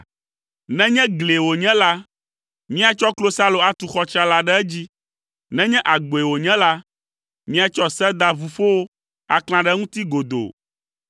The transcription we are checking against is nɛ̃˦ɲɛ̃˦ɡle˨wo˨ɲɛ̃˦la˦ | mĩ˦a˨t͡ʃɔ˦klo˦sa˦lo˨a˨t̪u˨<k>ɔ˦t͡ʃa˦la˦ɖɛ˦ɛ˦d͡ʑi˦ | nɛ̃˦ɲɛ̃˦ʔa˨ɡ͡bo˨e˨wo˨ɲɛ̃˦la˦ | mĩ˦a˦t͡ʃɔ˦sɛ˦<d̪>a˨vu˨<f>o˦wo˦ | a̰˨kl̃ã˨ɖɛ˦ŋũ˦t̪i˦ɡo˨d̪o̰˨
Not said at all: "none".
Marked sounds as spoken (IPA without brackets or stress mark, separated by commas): x, d̪, f